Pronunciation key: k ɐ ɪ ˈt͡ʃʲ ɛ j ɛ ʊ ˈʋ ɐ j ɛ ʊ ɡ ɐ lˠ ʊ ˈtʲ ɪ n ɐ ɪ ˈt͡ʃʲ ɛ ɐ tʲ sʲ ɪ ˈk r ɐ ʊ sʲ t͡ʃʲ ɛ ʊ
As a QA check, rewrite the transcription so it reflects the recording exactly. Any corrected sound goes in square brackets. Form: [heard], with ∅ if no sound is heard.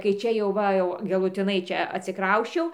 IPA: k ɐ ɪ ˈt͡ʃʲ ɛ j ɛ ʊ ˈʋ ɐ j ɛ ʊ ɡ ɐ lˠ ʊ ˈtʲ ɪ n ɐ ɪ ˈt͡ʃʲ ɛ ɐ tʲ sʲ ɪ ˈk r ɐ ʊ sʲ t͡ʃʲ ɛ ʊ